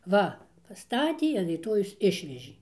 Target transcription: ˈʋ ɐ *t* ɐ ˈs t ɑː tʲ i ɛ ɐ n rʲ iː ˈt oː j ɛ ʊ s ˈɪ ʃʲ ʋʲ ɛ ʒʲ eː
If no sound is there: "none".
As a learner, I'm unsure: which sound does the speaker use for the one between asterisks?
p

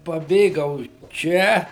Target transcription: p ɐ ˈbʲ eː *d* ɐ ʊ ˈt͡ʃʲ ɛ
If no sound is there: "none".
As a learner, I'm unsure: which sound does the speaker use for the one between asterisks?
ɡ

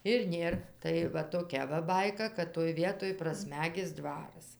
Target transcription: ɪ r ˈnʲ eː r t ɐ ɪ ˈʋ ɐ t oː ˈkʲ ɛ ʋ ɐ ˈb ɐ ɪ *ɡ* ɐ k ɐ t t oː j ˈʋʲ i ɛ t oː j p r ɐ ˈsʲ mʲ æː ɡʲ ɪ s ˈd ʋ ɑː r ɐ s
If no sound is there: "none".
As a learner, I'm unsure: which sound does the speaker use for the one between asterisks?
k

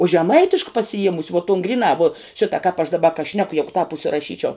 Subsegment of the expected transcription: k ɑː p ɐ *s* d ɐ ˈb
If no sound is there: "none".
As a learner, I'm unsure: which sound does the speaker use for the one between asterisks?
ʃ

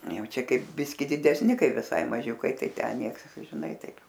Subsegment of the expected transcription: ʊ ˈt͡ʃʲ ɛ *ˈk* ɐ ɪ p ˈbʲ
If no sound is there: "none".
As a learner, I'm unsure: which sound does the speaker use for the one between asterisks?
k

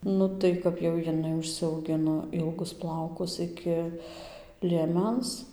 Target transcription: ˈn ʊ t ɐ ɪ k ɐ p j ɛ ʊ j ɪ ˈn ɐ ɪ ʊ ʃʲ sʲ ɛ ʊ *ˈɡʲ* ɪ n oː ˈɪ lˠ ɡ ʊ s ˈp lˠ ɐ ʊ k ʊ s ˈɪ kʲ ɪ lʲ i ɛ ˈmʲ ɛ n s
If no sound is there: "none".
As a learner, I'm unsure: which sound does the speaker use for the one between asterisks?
ɡʲ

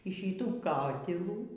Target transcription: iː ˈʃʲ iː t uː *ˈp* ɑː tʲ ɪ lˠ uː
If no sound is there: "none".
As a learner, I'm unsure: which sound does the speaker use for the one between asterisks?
k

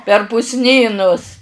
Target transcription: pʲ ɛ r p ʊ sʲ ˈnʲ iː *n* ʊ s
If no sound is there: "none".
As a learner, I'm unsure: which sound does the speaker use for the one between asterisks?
n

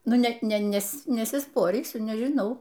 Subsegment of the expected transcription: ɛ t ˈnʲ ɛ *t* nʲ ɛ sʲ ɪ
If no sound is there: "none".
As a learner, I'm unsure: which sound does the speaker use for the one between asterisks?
s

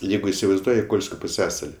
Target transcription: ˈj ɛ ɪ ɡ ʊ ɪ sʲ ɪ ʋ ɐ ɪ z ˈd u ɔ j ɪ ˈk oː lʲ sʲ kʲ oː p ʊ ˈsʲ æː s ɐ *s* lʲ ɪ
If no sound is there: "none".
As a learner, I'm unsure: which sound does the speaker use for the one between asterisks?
none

